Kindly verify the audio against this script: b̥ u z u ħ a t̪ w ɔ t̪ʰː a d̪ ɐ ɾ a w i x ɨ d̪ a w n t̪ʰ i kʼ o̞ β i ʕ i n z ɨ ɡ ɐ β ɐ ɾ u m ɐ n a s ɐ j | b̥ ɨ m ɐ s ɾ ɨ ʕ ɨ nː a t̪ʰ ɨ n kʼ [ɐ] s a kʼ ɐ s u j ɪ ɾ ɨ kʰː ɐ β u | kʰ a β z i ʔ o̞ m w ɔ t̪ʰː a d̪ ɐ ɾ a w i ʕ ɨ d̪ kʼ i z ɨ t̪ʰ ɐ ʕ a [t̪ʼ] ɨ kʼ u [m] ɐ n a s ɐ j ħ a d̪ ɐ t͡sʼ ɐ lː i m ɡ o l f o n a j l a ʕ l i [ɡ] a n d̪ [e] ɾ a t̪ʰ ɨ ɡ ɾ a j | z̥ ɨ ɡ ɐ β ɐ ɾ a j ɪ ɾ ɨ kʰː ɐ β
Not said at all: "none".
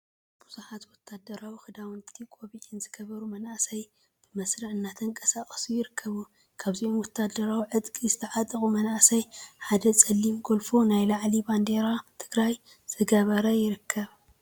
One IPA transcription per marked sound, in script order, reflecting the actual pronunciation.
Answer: ɐ, t̪ʼ, m, b, e

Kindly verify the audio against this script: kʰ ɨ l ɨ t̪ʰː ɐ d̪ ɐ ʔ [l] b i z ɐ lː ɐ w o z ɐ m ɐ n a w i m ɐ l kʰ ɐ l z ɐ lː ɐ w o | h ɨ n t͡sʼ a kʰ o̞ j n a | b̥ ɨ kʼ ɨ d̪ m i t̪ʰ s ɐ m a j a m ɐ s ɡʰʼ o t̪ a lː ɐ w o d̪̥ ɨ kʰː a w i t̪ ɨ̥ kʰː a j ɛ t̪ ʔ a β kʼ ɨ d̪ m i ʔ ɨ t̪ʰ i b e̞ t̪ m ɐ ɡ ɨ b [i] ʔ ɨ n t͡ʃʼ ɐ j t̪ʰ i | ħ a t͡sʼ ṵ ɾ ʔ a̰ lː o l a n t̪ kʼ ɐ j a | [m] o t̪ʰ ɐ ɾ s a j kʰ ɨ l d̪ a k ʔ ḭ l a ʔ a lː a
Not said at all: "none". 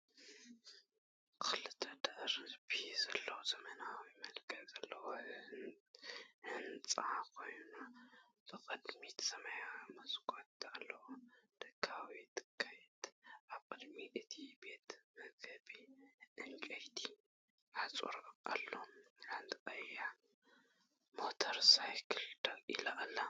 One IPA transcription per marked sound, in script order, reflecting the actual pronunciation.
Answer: ɾ, i, m

